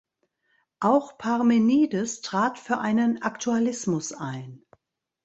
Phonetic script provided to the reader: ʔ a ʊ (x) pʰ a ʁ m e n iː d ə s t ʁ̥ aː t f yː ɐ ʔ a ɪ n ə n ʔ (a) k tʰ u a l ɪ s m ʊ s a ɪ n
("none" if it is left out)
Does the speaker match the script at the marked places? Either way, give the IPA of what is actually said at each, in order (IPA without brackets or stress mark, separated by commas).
x, a